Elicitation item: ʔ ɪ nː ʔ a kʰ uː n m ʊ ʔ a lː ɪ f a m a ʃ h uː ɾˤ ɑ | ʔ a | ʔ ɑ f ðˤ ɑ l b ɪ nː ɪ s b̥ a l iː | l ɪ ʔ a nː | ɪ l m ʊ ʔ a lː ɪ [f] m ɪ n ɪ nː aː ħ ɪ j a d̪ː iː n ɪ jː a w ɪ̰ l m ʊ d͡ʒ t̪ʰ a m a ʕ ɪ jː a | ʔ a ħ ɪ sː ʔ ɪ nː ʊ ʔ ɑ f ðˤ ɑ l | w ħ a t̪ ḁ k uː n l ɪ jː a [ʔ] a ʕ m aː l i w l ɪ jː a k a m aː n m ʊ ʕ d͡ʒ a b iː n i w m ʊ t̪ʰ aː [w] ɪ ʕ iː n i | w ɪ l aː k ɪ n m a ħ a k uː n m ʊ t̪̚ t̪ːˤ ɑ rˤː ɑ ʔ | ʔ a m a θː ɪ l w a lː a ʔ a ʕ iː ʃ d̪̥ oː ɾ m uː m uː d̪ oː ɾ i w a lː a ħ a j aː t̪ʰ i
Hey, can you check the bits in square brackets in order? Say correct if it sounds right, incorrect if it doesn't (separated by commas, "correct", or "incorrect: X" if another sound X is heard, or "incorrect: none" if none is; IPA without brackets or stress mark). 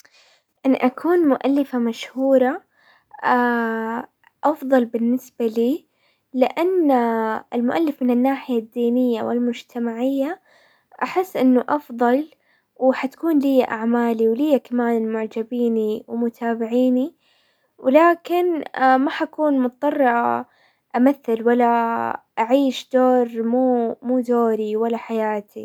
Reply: correct, correct, incorrect: b